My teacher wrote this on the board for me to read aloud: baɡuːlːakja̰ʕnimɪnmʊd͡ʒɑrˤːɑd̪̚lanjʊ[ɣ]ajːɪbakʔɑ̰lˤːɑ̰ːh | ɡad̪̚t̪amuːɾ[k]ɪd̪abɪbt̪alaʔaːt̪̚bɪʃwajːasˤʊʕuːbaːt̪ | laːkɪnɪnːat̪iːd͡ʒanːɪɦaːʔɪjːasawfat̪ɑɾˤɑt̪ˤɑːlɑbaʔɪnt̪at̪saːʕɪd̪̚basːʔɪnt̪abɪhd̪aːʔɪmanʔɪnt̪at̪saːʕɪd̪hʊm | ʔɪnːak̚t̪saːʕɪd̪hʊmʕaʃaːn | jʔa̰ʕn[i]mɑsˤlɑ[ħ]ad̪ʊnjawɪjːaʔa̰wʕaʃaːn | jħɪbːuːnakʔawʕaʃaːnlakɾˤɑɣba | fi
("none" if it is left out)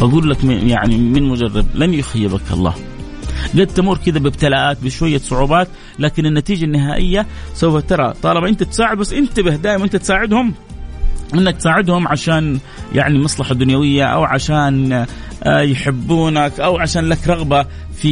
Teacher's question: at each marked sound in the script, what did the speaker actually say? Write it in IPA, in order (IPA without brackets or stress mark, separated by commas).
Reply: x, k, i, ħ